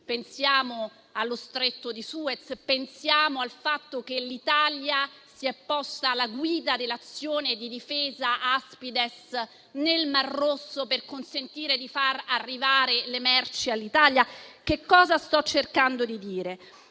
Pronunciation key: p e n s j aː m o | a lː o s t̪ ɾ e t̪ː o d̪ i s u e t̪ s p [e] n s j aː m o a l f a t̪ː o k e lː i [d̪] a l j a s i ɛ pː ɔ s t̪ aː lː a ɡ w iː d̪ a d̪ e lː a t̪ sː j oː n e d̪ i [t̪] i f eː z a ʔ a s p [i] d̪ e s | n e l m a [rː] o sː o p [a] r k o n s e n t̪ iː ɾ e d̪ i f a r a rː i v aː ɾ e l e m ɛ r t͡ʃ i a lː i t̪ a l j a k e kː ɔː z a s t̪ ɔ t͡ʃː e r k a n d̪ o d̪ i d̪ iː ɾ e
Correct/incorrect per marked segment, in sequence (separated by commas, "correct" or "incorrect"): correct, incorrect, incorrect, correct, correct, incorrect